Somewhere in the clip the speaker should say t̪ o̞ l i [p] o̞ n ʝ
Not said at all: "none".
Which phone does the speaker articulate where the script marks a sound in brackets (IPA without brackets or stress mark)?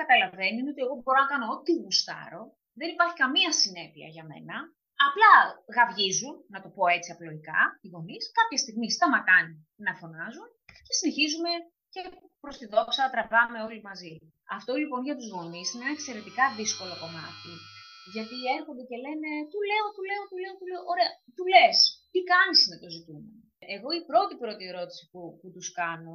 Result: p